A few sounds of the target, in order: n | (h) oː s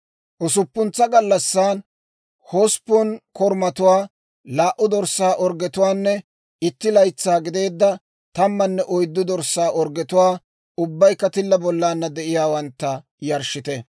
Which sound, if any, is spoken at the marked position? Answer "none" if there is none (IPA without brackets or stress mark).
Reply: h